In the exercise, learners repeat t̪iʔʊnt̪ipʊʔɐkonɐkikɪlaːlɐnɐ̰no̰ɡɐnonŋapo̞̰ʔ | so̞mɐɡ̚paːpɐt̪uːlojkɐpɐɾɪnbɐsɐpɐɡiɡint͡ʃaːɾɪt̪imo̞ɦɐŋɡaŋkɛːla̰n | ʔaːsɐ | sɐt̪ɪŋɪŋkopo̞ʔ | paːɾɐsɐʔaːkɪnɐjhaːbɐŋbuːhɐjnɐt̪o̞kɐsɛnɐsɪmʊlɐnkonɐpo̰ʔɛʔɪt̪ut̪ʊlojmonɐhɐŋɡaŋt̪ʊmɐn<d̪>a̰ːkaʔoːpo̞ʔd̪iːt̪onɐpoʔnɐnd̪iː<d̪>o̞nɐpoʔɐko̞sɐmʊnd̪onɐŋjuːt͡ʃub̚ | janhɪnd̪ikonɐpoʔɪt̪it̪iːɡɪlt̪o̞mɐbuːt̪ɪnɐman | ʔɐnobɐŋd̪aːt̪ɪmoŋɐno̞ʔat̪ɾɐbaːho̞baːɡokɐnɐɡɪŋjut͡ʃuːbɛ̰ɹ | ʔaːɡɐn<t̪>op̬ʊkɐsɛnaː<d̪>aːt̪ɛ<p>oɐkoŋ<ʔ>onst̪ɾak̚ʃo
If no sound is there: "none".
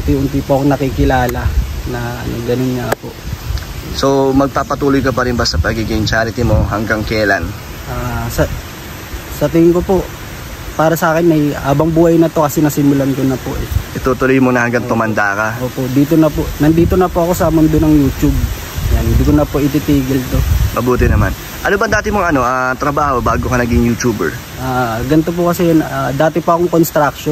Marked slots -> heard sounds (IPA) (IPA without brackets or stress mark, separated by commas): d̪, t̪, t̪, d̪, p, k